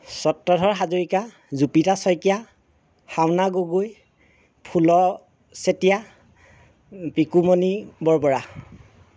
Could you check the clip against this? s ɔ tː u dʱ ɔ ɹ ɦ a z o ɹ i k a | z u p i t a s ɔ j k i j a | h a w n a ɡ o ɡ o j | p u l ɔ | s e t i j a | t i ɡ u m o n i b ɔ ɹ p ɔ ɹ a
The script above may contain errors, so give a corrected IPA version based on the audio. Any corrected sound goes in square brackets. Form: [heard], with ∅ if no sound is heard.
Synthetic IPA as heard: s ɔ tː [ɔ] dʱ ɔ ɹ ɦ a z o ɹ i k a | z u p i t a s ɔ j k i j a | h a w n a ɡ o ɡ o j | [pʰ] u l ɔ | s e t i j a | [p] i [k] u m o n i b ɔ ɹ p ɔ ɹ a